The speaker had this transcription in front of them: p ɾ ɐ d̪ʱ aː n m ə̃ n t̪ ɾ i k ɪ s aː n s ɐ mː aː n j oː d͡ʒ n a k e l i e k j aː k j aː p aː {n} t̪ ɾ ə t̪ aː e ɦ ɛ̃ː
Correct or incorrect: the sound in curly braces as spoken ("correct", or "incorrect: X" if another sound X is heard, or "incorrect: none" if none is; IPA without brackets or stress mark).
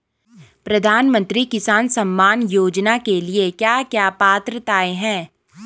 incorrect: none